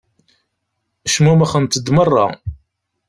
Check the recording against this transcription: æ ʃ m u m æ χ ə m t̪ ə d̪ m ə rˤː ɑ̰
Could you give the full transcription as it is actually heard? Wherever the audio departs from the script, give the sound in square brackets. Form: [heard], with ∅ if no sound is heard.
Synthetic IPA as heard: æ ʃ m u m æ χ ə [n] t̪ ə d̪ m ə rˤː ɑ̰